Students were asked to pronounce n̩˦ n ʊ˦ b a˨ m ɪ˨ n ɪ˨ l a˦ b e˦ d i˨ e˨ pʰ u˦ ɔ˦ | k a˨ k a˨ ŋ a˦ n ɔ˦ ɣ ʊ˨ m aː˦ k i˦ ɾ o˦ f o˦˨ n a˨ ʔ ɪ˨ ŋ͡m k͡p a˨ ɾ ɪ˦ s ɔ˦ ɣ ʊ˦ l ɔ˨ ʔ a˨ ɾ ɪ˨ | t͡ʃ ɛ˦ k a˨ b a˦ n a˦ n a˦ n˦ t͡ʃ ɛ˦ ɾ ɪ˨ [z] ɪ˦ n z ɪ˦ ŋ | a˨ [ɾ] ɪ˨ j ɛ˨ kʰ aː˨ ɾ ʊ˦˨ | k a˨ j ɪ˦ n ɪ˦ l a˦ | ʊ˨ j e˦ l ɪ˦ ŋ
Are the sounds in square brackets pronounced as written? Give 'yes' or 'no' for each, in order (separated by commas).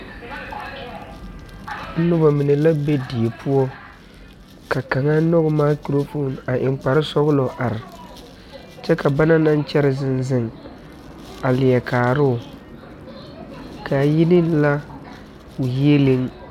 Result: yes, no